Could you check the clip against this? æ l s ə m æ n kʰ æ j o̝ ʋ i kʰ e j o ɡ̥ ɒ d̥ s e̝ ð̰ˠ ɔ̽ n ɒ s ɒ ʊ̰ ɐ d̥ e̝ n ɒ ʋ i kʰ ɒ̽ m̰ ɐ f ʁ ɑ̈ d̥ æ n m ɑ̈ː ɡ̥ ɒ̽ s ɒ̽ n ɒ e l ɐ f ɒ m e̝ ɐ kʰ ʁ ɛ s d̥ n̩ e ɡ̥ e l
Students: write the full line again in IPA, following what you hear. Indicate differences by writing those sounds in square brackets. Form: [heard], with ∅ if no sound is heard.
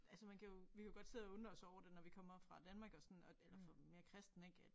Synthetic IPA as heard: æ l s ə m æ n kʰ æ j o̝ ʋ i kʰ [æ] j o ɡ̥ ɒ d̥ s e̝ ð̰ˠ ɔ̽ n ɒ s ɒ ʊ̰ ɐ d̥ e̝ n ɒ ʋ i kʰ ɒ̽ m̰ ɐ f ʁ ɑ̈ d̥ æ n m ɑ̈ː ɡ̥ ɒ̽ s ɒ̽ n ɒ e l ɐ f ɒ m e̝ ɐ kʰ ʁ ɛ s d̥ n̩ e ɡ̥ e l